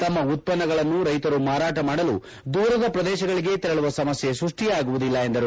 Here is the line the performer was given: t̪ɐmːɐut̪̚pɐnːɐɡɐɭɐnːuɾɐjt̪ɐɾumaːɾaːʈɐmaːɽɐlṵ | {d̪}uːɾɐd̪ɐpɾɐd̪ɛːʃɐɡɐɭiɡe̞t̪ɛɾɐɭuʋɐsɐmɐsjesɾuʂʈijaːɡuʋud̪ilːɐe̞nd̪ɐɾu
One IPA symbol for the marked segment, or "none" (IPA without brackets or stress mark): d̪